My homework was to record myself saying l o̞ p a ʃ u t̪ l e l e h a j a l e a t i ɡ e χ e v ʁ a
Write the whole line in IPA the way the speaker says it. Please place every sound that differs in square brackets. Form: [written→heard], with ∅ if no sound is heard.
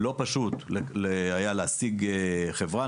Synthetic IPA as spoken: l o̞ p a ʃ u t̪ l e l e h a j a l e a [t→s] i ɡ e χ e v ʁ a